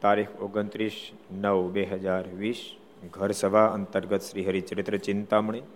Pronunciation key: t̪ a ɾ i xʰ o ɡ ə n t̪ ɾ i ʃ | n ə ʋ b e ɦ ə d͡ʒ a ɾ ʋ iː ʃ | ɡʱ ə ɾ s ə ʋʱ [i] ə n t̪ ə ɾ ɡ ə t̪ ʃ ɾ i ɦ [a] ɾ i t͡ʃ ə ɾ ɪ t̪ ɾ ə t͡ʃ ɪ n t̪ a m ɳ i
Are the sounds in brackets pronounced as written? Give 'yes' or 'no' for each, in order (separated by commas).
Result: no, no